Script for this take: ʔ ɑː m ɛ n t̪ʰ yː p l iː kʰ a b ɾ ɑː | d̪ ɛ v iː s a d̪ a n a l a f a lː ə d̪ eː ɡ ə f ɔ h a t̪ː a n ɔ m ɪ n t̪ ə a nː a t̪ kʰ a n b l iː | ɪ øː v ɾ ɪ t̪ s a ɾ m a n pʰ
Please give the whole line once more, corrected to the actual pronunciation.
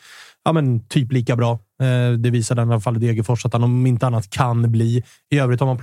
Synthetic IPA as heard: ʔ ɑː m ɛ n t̪ʰ yː p l iː k a b ɾ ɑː | d̪ ɛ v iː s a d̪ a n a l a f a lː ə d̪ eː ɡ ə f ɔ ʂ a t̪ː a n ɔ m ɪ n t̪ ə a nː a t̪ kʰ a n b l iː | ɪ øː v ɾ ɪ t̪ h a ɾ m a n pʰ